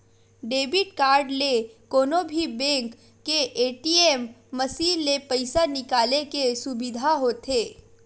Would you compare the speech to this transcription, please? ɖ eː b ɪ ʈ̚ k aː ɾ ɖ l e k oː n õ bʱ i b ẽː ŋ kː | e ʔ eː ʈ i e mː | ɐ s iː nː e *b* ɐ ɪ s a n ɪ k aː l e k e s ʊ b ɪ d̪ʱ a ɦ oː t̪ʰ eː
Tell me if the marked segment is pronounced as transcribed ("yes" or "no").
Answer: no